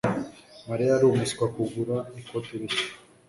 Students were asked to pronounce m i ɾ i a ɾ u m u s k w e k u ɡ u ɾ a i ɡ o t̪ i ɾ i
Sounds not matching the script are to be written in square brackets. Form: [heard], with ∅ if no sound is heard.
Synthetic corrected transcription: m [a] ɾ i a ɾ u m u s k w [a] k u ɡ u ɾ a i [k] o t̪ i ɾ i